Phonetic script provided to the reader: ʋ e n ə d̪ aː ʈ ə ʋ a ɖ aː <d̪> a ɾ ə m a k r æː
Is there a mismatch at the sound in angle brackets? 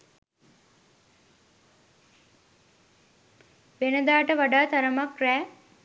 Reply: yes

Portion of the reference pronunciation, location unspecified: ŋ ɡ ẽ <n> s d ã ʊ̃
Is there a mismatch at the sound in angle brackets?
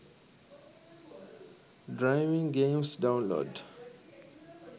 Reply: yes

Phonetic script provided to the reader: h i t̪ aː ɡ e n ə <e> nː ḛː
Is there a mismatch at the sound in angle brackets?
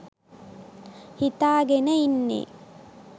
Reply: yes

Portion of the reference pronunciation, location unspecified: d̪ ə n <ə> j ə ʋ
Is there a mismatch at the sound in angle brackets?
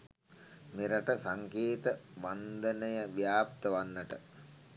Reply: no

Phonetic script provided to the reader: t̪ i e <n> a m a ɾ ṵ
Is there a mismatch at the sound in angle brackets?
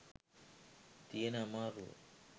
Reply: no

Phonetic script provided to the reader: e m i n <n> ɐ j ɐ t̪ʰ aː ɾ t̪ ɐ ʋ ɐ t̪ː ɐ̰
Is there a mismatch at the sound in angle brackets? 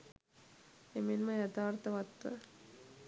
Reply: yes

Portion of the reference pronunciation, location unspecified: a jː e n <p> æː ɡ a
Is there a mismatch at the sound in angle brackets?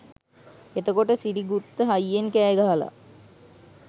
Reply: yes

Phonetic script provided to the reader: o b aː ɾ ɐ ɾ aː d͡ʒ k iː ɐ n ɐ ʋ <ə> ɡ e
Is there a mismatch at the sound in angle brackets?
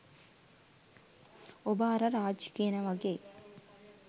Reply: yes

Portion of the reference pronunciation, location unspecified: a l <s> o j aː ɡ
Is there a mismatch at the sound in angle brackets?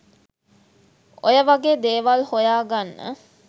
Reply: yes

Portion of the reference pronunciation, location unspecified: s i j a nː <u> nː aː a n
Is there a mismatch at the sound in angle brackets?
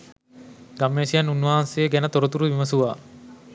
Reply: no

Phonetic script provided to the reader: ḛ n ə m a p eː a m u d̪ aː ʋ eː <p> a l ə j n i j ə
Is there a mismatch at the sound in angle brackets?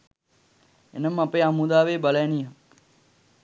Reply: yes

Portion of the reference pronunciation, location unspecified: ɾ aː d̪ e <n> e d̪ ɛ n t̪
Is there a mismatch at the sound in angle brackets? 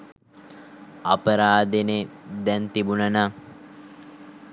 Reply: no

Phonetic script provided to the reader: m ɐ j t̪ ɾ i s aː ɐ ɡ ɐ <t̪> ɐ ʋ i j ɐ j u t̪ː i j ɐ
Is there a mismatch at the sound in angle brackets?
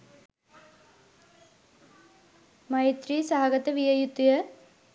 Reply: no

